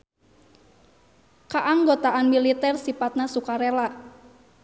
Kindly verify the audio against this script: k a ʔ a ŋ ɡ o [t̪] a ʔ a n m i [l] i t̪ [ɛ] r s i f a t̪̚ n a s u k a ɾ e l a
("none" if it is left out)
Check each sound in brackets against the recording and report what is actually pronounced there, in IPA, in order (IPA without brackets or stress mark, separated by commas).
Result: t̪, l, ɛ